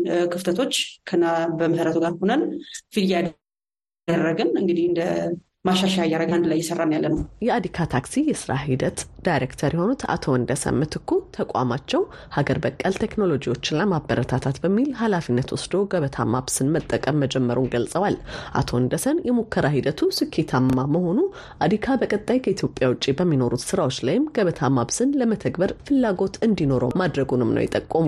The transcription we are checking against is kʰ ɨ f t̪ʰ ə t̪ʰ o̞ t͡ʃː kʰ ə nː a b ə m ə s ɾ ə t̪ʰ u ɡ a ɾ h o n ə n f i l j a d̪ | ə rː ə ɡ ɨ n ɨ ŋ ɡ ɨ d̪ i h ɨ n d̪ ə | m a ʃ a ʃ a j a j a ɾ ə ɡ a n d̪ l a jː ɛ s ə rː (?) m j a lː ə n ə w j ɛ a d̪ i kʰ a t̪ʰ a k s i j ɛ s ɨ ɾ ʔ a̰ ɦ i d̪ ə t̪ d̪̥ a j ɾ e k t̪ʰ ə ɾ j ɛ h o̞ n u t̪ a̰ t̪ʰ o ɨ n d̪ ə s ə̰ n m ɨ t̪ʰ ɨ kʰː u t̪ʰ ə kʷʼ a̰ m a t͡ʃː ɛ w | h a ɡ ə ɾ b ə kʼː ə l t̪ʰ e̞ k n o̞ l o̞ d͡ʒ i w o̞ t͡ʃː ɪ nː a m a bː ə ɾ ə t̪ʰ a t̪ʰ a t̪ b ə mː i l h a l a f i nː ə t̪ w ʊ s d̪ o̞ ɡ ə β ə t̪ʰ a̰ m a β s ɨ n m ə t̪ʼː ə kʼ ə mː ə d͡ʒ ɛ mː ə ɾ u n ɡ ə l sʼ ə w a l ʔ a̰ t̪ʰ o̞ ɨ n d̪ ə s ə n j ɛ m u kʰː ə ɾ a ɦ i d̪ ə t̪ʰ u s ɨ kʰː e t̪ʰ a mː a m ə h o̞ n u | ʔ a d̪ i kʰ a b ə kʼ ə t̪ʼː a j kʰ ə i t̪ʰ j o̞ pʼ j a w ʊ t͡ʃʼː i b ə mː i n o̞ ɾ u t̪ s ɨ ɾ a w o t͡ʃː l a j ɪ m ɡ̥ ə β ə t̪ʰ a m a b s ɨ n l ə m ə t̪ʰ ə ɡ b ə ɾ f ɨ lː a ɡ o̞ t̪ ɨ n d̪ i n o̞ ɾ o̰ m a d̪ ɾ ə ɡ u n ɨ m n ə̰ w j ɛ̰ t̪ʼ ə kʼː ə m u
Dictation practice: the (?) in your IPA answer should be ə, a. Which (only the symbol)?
a